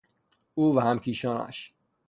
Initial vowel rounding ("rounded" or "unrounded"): rounded